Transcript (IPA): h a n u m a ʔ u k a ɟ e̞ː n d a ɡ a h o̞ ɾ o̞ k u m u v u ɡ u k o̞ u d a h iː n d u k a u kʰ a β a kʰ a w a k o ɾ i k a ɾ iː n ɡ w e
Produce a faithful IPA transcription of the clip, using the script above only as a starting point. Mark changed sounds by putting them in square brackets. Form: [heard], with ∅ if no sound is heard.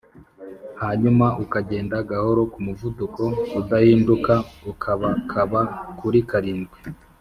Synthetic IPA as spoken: h a [ɲ] u m a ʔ u k a ɟ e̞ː n d a ɡ a h o̞ ɾ o̞ k u m u v u [d] u k o̞ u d a h iː n d u k a u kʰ a β a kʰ a [β] a k [u] ɾ i k a ɾ iː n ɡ w e